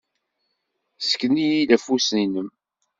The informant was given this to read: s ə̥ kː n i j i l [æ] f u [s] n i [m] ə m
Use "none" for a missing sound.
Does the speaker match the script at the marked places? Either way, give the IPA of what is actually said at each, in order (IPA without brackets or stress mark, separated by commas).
æ, s, n